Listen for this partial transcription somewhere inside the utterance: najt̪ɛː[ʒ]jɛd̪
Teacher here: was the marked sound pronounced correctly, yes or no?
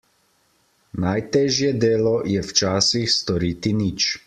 yes